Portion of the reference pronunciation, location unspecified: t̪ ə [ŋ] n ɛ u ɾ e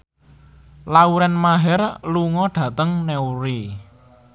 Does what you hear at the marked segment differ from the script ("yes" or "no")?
no